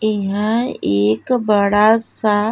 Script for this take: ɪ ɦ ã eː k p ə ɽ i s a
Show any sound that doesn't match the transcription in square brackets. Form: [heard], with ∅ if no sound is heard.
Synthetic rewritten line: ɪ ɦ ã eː k [b] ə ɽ [a] s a